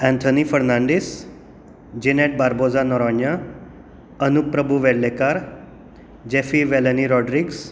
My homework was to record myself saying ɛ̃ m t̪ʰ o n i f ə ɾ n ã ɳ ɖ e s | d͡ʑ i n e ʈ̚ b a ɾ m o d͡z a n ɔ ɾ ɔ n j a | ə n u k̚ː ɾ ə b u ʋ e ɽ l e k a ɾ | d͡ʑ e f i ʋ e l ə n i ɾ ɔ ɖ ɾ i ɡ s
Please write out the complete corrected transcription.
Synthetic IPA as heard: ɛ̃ n t̪ʰ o n i f ə ɾ n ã ɳ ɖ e s | d͡ʑ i n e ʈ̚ b a ɾ b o d͡z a n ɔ ɾ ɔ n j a | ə n u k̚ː ɾ ə b u ʋ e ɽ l e k a ɾ | d͡ʑ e f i ʋ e l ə n i ɾ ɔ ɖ ɾ i ɡ s